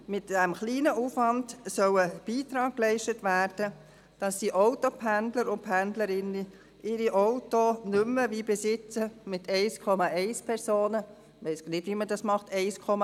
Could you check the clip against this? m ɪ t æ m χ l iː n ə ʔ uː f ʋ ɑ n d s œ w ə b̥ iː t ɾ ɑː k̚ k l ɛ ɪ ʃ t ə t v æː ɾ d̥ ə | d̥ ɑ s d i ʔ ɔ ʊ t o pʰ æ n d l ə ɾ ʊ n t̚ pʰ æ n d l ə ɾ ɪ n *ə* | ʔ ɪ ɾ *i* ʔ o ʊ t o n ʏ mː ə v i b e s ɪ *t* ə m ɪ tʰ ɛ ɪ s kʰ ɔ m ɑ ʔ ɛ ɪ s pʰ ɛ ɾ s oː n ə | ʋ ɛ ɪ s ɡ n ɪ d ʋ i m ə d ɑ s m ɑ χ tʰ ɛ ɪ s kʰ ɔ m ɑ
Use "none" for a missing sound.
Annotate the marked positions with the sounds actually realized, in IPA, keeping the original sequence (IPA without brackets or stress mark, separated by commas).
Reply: ə, i, t͡s